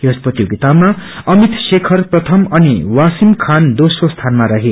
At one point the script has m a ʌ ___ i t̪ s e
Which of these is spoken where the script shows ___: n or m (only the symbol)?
m